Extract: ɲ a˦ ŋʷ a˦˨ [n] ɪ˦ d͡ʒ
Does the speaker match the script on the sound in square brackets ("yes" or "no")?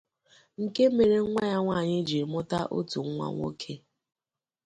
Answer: no